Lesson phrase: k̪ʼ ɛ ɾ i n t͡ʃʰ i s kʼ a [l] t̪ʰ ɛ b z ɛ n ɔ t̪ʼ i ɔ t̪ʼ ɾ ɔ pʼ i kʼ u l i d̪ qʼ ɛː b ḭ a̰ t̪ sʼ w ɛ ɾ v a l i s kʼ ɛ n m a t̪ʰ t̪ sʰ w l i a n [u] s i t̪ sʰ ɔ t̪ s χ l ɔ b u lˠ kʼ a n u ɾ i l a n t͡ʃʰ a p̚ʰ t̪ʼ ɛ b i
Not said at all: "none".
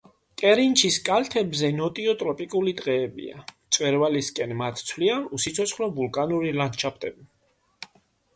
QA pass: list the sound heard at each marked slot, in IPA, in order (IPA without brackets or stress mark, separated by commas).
l, u